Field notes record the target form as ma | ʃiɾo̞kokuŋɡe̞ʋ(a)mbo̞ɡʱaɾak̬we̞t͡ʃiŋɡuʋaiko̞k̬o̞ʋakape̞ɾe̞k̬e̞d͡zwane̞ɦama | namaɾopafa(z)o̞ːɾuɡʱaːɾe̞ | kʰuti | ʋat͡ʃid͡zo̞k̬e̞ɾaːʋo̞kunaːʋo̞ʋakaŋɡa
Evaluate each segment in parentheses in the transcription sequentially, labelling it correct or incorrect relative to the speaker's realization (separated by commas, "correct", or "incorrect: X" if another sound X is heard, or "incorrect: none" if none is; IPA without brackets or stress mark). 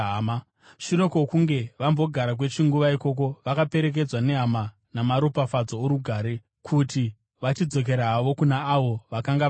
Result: correct, incorrect: d͡z